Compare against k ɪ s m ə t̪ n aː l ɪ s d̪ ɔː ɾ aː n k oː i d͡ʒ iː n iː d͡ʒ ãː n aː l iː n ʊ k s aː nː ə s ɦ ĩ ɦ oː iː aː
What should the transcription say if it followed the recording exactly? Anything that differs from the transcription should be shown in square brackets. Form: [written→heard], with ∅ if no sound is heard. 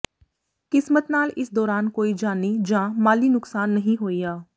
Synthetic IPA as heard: k ɪ s m ə t̪ n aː l ɪ s d̪ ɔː ɾ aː n k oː i d͡ʒ [iː→aː] n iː d͡ʒ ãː [n→m] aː l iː n ʊ k s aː nː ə [s→∅] ɦ ĩ ɦ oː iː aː